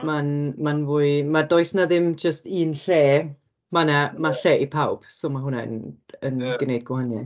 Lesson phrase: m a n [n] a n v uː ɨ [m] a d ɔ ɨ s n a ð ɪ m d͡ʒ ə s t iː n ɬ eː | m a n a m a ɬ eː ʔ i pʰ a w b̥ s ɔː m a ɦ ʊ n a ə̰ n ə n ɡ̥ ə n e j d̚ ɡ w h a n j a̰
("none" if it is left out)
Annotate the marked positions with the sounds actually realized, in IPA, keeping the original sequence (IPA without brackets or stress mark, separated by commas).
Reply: m, m